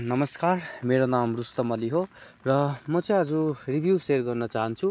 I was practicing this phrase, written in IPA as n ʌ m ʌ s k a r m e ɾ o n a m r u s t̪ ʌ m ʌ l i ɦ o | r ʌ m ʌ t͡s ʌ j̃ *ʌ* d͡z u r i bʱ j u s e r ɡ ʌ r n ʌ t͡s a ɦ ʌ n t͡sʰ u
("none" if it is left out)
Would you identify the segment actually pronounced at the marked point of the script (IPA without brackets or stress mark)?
ʌ